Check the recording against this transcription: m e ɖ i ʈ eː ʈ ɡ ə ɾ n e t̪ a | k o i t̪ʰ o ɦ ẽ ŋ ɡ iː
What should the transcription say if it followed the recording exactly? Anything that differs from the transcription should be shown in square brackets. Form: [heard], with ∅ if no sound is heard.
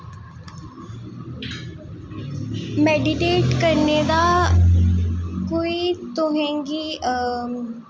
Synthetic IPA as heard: m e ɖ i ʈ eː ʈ [k] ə ɾ n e [d̪] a | k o i [t̪] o ɦ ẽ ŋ ɡ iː